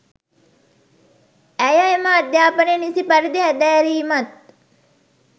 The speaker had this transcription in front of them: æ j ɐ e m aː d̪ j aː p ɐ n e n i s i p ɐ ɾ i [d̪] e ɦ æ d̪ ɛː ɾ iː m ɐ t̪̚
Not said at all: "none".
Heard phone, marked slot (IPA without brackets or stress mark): d̪